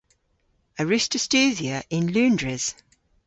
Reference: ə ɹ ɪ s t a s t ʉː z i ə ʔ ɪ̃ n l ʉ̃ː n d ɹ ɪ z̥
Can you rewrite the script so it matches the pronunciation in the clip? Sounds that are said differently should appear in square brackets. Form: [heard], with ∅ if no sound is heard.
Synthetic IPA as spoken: ə ɹ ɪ s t [ə] s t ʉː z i ə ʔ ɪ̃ n l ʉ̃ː n d ɹ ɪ z̥